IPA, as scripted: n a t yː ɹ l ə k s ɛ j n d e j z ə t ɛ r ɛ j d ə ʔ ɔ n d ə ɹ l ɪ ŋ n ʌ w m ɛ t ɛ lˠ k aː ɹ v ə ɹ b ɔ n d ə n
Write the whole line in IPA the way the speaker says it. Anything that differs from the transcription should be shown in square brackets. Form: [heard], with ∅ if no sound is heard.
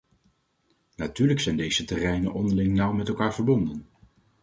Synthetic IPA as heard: n a t yː ɹ l ə k s ɛ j n d e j z ə t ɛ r ɛ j [n] ə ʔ ɔ n d ə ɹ l ɪ ŋ n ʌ w m ɛ t ɛ lˠ k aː ɹ v ə ɹ b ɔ n d ə n

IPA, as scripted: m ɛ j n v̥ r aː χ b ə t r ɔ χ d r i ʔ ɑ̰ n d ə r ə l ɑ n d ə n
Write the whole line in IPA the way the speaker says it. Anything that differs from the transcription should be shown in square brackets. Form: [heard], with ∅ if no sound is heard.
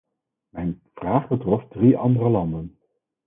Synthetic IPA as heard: m ɛ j n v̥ r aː χ b ə t r ɔ [f] d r i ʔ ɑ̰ n d ə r ə l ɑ n d ə n

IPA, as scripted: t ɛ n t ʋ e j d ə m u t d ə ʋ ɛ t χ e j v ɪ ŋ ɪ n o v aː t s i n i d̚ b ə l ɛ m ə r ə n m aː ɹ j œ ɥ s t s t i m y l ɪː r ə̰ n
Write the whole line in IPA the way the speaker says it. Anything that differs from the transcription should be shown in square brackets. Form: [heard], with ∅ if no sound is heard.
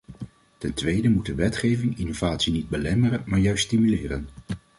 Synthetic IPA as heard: t ɛ n t ʋ e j d ə m u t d ə ʋ ɛ t χ e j v ɪ ŋ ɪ n o v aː t s i n i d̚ b ə l ɛ m ə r ə n m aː ɹ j œ ɥ s t s t i m y l ɪː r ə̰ n

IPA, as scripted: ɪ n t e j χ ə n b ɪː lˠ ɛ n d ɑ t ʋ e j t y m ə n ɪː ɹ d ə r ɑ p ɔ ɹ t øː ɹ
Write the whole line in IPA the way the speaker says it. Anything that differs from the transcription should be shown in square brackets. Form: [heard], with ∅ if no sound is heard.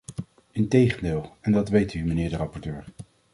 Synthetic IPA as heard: ɪ n t e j χ ə n [d] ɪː lˠ ɛ n d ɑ t ʋ e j t y m ə n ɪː ɹ d ə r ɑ p ɔ ɹ t øː ɹ

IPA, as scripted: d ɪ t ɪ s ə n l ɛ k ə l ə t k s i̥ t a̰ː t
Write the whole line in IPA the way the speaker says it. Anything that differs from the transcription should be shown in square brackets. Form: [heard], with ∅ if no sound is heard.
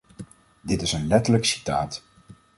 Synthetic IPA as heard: d ɪ t ɪ s ə n l ɛ [t] ə l ə [∅] k s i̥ t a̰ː t

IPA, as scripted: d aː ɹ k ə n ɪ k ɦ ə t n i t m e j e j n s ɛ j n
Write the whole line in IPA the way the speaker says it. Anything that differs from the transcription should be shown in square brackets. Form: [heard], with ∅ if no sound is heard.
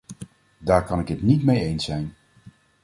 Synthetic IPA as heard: d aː ɹ k [ɑ] n ɪ k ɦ ə t n i t m e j e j n s ɛ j n

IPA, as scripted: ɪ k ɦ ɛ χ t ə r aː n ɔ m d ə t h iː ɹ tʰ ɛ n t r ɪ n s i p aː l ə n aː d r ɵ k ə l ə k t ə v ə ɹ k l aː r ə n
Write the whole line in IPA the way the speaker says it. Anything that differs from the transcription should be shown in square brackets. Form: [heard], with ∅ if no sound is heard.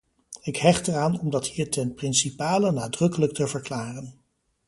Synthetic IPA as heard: ɪ k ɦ ɛ χ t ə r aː n ɔ m d [ɑ] t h iː ɹ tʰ ɛ n [p] r ɪ n s i p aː l ə n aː d r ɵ k ə l ə k t ə v ə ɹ k l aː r ə n

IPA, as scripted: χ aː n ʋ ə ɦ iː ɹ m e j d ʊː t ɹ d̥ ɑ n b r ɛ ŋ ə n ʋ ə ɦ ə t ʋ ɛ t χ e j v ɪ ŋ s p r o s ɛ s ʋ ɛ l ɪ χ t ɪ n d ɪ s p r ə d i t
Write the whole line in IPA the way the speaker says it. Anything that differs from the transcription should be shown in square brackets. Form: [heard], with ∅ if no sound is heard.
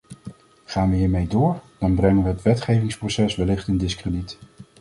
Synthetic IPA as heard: χ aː n ʋ ə ɦ iː ɹ m e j d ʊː [∅] ɹ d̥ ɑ n b r ɛ ŋ ə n ʋ ə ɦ ə t ʋ ɛ t χ e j v ɪ ŋ s p r o s ɛ s ʋ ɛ l ɪ χ t ɪ n d ɪ s [k] r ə d i t

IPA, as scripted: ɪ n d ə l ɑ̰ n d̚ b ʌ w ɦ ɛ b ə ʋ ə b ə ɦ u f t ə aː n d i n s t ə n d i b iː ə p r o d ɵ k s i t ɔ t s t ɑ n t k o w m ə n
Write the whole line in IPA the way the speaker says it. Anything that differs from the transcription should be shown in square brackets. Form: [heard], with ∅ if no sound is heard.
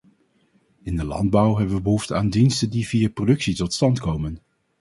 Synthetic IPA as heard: ɪ n d ə l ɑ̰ n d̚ b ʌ w ɦ ɛ b ə ʋ ə b ə ɦ u f t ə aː n d i n s t ə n d i [v] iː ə p r o d ɵ k s i t ɔ t s t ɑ n t k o w m ə n

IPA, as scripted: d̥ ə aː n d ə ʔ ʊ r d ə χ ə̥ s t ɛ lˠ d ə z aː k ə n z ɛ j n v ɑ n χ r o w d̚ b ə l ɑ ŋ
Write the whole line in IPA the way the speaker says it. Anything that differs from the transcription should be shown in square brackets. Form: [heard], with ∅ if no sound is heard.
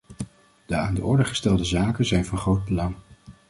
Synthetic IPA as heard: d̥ ə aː n d ə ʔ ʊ [ɹ] d ə χ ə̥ s t ɛ lˠ d ə z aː k ə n z ɛ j n v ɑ n χ r o w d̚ b ə l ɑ ŋ

